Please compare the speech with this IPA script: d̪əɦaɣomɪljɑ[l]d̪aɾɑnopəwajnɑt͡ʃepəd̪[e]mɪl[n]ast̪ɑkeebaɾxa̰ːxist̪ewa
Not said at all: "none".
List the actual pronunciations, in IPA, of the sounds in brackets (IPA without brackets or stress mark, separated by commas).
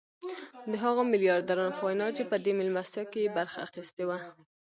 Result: ɾ, e, m